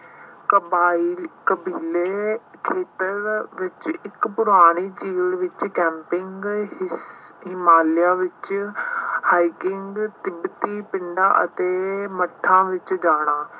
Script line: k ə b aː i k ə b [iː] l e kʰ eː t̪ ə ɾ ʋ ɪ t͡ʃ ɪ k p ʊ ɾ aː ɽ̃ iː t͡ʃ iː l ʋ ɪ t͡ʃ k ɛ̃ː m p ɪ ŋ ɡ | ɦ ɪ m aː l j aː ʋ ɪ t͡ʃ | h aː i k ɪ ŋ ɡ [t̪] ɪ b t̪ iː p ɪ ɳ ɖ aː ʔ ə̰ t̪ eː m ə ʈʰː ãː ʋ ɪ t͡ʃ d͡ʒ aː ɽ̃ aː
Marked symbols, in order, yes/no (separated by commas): yes, yes